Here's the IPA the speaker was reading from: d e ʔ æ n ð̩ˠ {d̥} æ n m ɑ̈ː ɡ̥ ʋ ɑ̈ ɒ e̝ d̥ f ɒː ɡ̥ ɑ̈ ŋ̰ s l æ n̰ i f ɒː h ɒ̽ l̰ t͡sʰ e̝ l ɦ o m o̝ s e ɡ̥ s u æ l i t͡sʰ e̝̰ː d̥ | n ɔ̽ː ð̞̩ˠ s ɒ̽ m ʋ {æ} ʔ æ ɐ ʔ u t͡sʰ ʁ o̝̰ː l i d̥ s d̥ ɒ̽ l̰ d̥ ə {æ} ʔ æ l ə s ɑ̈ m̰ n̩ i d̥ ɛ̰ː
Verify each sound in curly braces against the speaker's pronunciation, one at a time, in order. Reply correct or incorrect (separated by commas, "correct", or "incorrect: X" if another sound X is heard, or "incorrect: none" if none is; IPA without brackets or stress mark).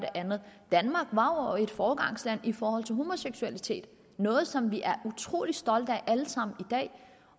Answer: correct, incorrect: i, correct